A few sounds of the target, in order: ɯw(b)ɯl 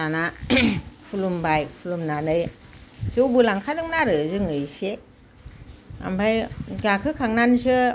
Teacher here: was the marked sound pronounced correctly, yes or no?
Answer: yes